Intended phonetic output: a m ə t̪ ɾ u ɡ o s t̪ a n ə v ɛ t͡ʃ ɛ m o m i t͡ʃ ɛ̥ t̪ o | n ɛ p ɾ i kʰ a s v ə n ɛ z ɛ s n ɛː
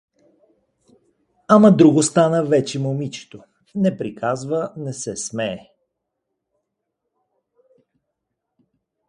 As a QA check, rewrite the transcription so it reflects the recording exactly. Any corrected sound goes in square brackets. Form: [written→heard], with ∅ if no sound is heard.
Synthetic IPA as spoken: a m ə [t̪→d̪] ɾ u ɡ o s t̪ a n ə v ɛ t͡ʃ ɛ m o m i t͡ʃ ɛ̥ t̪ o | n ɛ p ɾ i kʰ a [s→z] v ə n ɛ [z→s] ɛ s [n→m] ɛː